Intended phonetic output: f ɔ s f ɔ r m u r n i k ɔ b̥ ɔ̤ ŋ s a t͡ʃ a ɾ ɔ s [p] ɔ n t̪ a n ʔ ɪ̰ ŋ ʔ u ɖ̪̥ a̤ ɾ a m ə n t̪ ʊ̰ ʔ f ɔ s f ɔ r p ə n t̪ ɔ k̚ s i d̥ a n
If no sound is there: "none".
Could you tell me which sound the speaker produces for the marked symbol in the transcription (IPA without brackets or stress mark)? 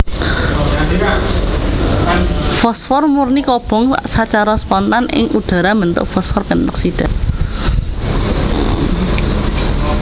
p